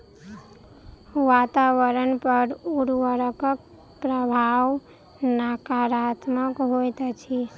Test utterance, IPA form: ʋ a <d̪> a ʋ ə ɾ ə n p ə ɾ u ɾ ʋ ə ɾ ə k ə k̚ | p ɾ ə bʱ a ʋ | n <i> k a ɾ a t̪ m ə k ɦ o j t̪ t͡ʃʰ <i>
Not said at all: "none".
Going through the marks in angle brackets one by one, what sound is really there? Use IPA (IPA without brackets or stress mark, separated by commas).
t̪, a, i